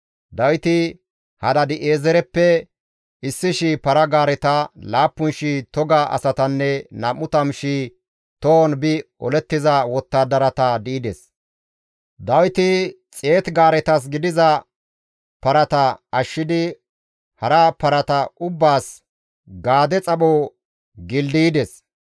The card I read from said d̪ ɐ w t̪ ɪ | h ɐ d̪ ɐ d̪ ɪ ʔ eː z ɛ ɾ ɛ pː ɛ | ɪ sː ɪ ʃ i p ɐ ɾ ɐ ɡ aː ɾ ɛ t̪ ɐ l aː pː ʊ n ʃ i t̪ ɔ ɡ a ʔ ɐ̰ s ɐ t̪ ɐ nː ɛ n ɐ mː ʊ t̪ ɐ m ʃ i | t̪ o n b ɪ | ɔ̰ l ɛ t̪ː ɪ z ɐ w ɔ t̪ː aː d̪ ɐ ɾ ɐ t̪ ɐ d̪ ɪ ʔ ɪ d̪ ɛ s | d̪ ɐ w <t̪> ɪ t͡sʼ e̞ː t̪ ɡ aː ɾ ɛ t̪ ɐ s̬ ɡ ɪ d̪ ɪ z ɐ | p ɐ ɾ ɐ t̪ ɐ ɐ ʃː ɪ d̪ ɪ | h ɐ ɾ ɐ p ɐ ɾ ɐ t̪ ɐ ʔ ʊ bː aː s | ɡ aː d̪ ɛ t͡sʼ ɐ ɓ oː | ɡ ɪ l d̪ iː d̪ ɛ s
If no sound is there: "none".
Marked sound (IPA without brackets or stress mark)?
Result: t̪